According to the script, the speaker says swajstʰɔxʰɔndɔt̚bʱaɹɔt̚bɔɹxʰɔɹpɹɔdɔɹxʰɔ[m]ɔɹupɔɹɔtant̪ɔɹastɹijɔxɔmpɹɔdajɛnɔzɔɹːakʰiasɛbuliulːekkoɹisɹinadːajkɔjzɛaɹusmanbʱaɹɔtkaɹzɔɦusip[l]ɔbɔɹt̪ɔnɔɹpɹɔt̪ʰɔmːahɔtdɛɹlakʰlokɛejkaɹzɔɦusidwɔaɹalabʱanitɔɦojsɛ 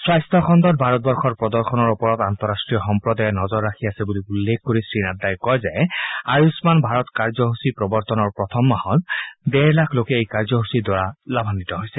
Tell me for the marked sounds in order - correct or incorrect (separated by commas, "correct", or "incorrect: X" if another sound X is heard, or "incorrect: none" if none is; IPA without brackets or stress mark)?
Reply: incorrect: n, incorrect: ɹ